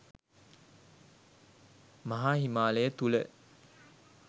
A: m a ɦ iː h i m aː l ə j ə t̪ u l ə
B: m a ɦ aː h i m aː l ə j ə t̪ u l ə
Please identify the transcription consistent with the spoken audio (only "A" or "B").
B